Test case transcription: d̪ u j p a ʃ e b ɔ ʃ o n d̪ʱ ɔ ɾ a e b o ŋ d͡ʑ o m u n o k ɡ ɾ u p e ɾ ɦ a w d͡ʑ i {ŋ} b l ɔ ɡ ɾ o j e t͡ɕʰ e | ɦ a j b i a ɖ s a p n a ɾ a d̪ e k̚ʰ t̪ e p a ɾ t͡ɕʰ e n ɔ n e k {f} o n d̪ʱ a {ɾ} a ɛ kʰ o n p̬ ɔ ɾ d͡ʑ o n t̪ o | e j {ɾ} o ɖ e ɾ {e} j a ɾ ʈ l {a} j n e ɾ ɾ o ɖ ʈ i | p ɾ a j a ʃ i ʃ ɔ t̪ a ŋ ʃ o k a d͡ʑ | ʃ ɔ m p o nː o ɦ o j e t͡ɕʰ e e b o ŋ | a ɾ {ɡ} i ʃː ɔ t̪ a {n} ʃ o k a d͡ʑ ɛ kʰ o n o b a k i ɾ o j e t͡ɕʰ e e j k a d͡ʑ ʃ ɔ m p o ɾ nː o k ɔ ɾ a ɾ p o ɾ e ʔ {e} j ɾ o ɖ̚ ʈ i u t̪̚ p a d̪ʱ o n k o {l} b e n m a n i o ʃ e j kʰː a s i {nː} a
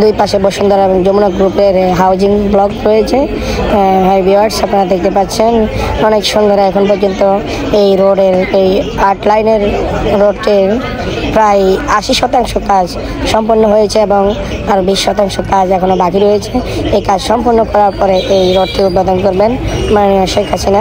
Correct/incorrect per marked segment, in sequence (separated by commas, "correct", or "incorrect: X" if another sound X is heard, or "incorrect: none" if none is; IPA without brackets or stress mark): correct, incorrect: ʃ, correct, correct, correct, correct, incorrect: b, incorrect: ŋ, correct, incorrect: ɾ, incorrect: n